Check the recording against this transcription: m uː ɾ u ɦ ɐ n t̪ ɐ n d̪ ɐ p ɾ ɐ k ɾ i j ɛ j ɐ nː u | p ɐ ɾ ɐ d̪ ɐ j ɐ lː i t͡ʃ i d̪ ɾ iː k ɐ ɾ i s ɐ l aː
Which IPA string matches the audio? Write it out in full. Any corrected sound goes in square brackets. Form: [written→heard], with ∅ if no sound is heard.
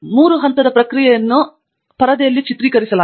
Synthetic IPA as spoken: m uː ɾ u ɦ ɐ n t̪ ɐ [n→∅] d̪ ɐ p ɾ ɐ k ɾ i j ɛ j ɐ nː u | p ɐ ɾ ɐ d̪ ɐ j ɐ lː i t͡ʃ i [d̪→t̪] ɾ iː k ɐ ɾ i s ɐ l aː